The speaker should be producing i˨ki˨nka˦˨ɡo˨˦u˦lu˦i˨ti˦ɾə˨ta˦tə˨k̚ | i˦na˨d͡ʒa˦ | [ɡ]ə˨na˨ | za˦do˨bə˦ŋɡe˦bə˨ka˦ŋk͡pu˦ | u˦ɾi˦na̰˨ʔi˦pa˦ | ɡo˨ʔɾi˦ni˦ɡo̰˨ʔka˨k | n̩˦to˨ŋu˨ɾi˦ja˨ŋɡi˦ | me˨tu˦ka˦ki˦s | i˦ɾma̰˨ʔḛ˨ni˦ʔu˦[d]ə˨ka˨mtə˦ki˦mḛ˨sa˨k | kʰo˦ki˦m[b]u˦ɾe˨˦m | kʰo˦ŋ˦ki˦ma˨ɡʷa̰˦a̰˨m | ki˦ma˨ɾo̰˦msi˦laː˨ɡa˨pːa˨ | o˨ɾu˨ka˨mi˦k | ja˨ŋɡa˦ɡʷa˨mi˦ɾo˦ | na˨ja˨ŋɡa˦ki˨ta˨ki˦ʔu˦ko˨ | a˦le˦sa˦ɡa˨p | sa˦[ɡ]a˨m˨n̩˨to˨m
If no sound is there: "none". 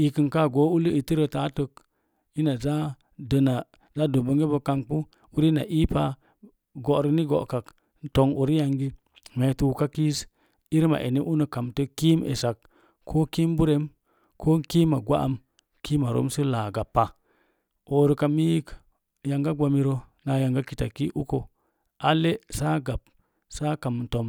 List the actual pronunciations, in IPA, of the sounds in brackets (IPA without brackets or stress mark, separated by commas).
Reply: d, n, b, k